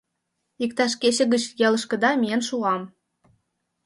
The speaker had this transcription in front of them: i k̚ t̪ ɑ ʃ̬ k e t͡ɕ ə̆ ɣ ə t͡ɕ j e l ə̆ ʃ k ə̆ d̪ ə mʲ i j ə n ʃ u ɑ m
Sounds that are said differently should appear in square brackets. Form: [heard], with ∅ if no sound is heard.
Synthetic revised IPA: i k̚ t̪ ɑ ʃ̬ k e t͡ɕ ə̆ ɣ ə t͡ɕ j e l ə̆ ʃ k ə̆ d̪ [ɑ] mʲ i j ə n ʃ u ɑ m